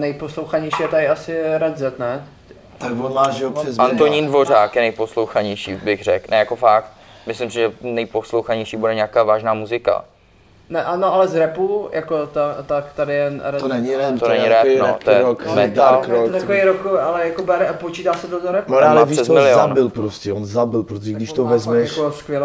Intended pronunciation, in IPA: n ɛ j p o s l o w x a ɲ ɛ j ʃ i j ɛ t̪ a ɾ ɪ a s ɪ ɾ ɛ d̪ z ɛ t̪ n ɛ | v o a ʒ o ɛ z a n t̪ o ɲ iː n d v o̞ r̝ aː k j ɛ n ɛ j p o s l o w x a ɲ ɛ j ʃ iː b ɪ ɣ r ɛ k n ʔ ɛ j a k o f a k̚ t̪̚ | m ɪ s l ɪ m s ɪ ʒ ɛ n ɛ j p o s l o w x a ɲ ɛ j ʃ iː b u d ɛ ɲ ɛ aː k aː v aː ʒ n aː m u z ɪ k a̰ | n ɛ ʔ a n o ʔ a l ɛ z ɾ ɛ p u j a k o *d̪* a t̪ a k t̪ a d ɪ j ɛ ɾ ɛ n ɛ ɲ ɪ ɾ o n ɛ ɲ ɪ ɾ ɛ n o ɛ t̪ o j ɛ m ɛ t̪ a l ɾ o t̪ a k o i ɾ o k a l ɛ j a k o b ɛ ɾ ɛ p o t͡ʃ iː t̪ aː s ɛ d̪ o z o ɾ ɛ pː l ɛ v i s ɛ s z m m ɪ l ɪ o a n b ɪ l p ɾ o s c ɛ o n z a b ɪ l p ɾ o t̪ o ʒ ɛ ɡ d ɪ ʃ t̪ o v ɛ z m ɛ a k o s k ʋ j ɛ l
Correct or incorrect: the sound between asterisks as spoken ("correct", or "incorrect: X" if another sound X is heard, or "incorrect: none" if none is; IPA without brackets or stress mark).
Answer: incorrect: t̪